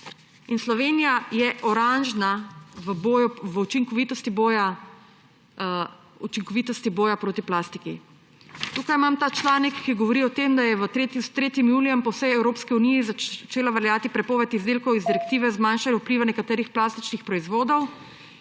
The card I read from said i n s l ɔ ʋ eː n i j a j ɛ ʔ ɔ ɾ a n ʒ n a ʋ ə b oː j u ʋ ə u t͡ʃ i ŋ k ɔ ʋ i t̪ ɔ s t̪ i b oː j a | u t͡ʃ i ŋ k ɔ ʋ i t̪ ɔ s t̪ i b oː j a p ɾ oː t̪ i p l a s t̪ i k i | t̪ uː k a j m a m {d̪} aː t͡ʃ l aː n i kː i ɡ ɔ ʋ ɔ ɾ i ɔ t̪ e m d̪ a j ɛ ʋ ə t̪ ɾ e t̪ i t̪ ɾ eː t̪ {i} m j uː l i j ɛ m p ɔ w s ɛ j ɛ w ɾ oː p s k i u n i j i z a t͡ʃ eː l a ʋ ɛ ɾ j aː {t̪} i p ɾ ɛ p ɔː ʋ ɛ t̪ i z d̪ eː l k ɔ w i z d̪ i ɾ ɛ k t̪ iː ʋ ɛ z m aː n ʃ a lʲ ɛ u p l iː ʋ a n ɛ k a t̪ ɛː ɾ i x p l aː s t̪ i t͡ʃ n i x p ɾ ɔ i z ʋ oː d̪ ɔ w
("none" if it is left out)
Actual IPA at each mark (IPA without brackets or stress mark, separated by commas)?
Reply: t̪, i, t̪